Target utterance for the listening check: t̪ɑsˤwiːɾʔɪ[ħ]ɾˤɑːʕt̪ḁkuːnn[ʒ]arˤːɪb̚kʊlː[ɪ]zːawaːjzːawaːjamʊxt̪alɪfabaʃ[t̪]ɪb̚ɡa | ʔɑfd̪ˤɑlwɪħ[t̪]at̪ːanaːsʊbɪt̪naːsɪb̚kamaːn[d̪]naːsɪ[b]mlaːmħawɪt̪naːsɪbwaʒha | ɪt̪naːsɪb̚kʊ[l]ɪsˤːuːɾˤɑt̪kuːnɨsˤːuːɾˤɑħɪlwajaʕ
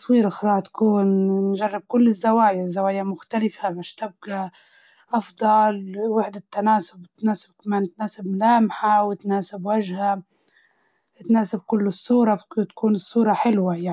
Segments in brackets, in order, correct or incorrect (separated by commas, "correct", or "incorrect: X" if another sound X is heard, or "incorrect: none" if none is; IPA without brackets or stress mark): incorrect: x, correct, correct, correct, incorrect: d̪, incorrect: t̪, correct, incorrect: lː